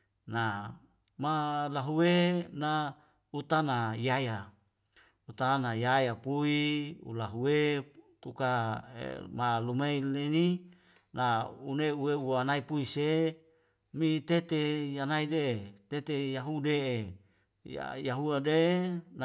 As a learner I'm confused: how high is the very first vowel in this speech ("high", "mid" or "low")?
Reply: low